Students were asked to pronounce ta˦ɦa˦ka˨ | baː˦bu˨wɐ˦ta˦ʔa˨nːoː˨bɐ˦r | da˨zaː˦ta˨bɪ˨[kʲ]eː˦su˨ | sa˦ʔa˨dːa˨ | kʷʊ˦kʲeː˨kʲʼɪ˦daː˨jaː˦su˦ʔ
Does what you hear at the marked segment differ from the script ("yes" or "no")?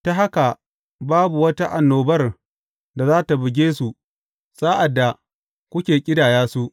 yes